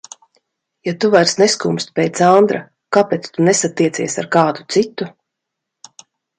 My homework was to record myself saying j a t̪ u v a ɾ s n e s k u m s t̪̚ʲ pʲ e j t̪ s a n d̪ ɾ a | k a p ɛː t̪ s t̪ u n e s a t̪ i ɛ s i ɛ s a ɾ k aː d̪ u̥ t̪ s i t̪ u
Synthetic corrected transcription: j a t̪ u v a ɾ s n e s k u m s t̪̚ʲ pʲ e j t̪ s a n d̪ ɾ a | k a p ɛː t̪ s t̪ u n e s a t̪ i ɛ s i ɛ s a ɾ k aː d̪ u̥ t̪ s i t̪ u